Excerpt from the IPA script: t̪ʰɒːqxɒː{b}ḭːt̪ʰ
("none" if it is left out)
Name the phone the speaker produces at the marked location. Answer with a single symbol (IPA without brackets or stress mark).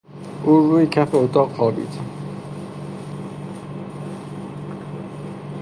b